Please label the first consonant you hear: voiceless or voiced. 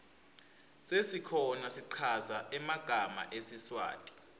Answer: voiceless